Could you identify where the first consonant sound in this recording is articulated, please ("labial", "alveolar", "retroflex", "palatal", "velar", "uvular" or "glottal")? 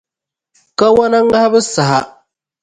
velar